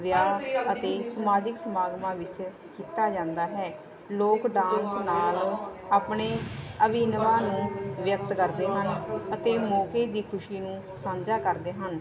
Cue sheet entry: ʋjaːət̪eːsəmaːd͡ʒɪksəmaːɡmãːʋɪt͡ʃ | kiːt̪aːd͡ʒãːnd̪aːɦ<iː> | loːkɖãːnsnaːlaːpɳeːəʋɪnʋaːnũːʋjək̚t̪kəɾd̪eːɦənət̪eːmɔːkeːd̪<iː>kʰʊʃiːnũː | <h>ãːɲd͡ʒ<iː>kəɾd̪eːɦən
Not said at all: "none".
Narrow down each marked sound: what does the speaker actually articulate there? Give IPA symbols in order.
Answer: ɛː, iː, s, aː

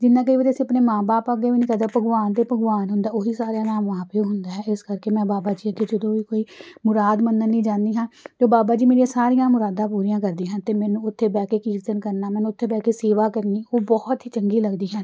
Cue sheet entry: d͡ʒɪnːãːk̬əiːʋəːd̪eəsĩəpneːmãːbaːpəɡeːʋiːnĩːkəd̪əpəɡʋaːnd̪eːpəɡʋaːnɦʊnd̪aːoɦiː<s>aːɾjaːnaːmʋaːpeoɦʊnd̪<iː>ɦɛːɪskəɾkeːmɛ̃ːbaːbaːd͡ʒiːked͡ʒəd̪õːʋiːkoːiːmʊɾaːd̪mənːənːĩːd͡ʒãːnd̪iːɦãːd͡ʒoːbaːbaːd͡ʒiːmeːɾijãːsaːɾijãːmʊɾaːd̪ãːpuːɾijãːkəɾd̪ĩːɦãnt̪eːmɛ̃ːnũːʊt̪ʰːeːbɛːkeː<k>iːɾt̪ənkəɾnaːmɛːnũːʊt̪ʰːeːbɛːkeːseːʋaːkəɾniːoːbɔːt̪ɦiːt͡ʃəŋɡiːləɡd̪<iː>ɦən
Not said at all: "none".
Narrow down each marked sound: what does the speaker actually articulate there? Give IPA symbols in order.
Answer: s, aː, k, iː

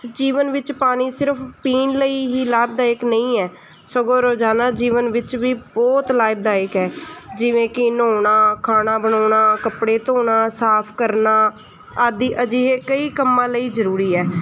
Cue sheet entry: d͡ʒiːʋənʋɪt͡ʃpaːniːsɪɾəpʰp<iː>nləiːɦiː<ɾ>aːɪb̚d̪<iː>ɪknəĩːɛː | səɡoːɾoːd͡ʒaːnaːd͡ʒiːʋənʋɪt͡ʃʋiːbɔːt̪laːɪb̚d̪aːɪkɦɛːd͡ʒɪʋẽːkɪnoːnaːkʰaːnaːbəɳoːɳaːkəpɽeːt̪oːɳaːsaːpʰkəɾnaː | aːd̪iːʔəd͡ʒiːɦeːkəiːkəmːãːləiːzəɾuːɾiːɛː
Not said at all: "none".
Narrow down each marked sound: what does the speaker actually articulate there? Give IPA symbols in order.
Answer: iː, l, aː

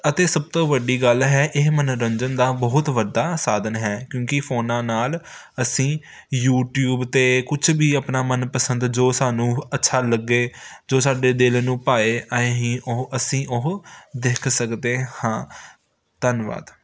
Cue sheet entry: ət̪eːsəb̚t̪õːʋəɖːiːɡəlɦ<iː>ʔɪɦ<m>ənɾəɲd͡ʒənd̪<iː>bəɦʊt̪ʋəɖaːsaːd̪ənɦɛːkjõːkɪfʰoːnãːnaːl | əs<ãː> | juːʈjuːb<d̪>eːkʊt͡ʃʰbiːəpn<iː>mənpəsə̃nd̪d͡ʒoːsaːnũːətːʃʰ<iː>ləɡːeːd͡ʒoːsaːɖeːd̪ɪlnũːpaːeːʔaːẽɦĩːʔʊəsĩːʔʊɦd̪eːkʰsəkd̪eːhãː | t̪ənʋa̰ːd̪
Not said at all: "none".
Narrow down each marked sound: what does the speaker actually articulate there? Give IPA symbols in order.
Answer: ɛː, m, aː, ĩː, t̪, aː, aː

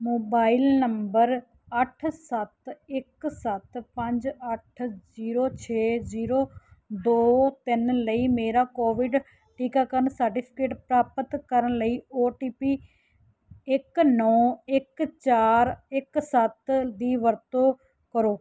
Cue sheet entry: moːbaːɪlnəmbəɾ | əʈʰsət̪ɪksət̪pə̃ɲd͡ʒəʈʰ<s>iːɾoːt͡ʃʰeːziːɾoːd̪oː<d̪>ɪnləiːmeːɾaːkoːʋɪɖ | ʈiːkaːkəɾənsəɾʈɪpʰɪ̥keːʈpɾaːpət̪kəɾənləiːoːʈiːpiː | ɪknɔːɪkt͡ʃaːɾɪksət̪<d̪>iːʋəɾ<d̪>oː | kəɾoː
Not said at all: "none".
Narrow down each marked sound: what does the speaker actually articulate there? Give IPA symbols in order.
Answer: z, t̪, d̪, t̪

